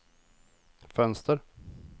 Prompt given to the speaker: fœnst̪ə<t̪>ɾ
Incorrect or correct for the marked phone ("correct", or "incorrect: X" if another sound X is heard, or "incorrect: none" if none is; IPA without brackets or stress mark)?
incorrect: none